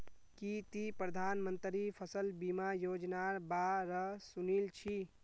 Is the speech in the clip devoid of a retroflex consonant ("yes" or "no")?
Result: yes